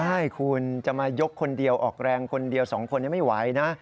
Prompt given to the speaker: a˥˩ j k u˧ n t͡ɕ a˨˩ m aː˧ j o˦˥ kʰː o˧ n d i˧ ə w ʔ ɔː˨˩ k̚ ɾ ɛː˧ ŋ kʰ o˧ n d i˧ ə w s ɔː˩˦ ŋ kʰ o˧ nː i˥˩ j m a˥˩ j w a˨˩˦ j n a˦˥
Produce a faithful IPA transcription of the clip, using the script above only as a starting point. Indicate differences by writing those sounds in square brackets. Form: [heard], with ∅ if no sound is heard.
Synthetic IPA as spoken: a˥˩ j [kʰ] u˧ n t͡ɕ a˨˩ m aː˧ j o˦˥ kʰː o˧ n d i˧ ə w ʔ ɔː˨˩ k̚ ɾ ɛː˧ ŋ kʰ o˧ n d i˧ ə w s ɔː˩˦ ŋ kʰ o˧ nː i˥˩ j m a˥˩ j w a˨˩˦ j n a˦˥

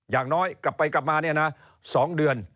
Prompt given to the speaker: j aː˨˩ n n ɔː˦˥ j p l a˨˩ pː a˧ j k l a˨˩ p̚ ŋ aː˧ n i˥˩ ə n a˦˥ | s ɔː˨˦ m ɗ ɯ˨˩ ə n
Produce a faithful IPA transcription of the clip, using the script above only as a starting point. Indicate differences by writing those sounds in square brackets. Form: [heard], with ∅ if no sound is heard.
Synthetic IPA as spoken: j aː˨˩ [ŋ] n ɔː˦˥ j [k] l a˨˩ pː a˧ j k l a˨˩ p̚ [m] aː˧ n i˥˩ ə n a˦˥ | s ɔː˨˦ [ŋ] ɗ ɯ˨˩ ə n

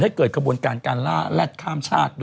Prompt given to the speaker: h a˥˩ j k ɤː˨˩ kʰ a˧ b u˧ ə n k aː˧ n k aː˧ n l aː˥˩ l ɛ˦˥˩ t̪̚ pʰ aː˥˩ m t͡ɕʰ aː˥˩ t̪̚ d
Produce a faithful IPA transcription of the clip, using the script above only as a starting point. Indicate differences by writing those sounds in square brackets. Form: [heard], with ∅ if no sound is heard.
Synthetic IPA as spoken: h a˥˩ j k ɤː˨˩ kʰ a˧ b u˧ ə n k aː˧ n k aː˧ n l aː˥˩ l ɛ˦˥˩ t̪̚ [kʰ] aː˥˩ m t͡ɕʰ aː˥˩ t̪̚ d

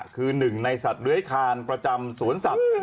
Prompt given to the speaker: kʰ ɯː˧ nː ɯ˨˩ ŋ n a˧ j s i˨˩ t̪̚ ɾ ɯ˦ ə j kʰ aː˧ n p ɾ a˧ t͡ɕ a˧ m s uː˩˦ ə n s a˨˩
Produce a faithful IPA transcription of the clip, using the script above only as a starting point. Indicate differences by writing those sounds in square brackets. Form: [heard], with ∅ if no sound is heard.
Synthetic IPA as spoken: kʰ ɯː˧ [n] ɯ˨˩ ŋ n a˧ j s [a˨˩] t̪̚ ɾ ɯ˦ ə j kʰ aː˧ n p ɾ a˧ t͡ɕ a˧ m s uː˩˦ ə n s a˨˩

